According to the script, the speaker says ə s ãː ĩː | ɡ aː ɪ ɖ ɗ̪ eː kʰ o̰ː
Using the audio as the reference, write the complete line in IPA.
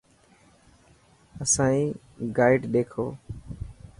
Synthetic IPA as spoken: ə s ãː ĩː | ɡ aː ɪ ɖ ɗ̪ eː kʰ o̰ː